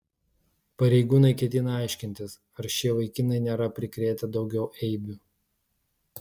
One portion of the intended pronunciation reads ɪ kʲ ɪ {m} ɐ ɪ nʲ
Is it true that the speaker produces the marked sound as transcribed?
no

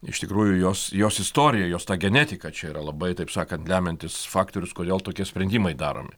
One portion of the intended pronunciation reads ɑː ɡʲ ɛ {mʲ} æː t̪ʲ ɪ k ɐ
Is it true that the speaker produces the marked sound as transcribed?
no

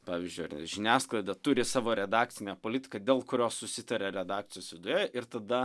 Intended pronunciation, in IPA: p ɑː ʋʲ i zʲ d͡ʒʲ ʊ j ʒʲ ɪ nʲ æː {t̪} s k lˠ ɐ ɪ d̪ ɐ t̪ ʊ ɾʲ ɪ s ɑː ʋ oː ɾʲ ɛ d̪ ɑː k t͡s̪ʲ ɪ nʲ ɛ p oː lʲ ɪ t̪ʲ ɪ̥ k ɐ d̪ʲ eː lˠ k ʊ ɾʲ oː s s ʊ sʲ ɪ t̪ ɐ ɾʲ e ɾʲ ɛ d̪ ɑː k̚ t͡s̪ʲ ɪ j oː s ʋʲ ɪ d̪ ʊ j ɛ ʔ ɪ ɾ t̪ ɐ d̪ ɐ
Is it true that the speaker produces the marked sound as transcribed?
no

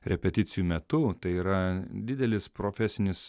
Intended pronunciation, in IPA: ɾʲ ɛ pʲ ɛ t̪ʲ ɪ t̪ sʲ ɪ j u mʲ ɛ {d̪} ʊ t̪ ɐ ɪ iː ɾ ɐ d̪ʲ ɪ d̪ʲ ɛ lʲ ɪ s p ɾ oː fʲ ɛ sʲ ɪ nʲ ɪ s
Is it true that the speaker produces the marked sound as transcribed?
no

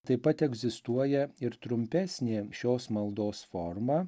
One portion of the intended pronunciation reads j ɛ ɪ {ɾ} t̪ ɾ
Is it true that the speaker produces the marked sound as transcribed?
yes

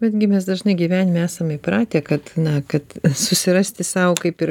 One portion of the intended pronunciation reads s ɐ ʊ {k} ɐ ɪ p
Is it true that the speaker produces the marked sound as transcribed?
yes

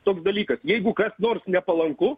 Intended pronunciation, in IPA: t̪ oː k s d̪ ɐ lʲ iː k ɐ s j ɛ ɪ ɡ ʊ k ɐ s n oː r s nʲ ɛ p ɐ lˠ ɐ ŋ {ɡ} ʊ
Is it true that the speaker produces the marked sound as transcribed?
no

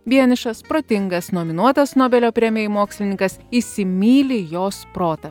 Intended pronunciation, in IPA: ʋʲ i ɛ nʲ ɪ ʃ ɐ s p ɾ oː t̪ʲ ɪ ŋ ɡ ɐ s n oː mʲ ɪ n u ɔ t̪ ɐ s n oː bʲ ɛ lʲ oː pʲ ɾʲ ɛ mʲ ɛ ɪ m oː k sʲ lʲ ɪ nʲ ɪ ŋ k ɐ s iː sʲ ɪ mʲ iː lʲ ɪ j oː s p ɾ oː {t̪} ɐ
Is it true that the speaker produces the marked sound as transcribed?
yes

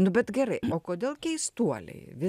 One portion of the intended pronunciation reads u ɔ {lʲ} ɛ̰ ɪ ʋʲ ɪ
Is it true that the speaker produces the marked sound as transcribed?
yes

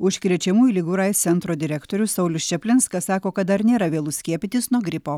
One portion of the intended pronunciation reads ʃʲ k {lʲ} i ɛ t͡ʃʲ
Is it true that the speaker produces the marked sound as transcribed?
no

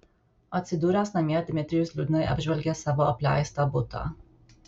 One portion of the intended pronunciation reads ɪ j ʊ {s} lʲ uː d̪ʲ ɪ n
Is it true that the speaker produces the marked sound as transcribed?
yes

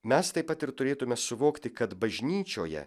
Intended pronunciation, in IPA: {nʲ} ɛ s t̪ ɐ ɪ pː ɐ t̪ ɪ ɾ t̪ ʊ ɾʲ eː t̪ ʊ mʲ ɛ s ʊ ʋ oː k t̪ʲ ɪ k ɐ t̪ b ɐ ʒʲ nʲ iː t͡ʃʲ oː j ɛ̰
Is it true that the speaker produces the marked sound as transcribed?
no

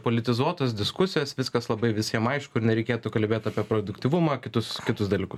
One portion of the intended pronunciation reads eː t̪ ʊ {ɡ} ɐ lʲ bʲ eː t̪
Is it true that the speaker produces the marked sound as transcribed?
no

